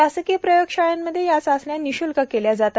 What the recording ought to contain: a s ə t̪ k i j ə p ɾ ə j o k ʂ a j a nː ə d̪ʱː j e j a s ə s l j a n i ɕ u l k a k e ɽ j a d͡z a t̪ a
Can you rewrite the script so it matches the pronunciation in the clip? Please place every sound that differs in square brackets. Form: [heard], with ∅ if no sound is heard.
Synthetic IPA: a s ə [∅] k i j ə p ɾ ə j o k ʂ a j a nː ə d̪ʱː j e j a [t͡s] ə s l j a n i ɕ u l k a k e [l] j a d͡z a t̪ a